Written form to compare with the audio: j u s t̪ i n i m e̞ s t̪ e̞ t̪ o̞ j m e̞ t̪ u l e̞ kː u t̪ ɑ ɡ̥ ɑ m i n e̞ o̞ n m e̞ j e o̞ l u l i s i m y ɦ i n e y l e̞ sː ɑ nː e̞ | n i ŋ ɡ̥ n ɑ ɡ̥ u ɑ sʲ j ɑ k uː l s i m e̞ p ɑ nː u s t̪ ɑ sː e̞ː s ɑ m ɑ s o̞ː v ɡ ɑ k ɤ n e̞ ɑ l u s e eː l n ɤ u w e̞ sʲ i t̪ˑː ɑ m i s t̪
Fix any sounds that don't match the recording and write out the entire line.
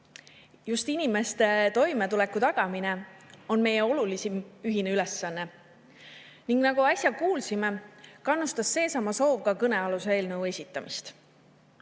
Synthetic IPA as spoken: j u s t̪ i n i m e̞ s t̪ e̞ t̪ o̞ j m e̞ t̪ u l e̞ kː u t̪ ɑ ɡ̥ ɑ m i n e̞ o̞ n m e̞ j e o̞ l u l i s i m y ɦ i n e y l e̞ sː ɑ nː e̞ | n i ŋ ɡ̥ n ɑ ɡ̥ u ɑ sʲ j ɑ k uː l s i m e̞ k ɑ nː u s t̪ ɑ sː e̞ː s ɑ m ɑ s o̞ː v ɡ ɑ k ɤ n e̞ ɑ l u s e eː l n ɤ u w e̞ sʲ i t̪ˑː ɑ m i s t̪